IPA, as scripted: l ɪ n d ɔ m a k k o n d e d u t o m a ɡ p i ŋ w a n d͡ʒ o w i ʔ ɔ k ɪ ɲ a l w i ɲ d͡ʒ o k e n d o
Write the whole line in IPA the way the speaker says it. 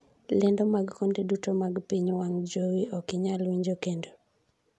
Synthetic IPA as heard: l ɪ n d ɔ m a ɡ k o n d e d u t o m a ɡ p i ɲ w a ŋ d͡ʒ o w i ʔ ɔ k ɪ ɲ a l w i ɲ d͡ʒ o k e n d o